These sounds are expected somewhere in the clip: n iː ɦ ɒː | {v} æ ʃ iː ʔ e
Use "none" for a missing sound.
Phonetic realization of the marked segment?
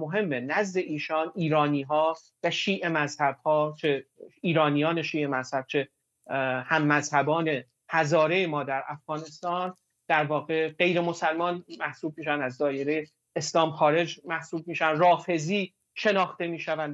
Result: v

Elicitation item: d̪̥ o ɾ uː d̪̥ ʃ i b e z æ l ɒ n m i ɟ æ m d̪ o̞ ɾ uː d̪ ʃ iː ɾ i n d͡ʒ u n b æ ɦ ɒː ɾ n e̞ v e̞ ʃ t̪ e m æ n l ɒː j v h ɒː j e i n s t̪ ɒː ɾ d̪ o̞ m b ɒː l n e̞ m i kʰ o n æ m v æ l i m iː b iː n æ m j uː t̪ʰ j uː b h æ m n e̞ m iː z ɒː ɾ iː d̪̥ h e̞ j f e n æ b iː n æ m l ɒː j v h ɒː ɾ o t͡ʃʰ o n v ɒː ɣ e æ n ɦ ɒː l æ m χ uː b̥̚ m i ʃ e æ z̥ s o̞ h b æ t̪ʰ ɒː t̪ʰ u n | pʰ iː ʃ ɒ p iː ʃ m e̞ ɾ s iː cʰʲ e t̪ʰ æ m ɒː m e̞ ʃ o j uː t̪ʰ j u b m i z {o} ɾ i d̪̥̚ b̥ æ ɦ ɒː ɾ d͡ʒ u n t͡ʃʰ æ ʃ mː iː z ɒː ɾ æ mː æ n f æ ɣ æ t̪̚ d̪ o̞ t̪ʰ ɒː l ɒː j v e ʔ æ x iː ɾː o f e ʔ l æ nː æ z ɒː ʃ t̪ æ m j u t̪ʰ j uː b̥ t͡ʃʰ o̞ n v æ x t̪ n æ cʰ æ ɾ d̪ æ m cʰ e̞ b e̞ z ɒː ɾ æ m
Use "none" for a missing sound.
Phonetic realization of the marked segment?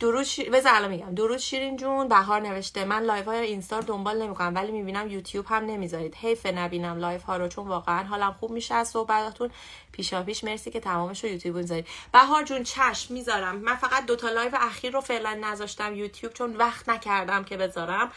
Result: ɒ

